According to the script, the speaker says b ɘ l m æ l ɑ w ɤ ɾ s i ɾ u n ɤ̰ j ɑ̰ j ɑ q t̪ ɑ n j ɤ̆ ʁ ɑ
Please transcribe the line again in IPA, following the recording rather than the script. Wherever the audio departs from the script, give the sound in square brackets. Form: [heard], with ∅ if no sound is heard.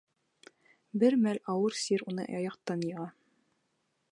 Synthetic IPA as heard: b ɘ [ɾ] m æ l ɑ w ɤ ɾ s i ɾ u n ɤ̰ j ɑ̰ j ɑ q t̪ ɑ n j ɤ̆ ʁ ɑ